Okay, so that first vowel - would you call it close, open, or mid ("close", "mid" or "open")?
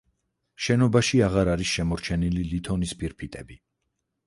mid